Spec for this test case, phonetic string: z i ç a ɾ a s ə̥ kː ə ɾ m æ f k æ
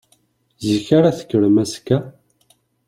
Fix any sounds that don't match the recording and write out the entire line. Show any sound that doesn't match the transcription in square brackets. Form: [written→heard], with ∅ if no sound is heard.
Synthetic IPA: z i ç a ɾ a [s→θ] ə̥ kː ə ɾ m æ [f→s] k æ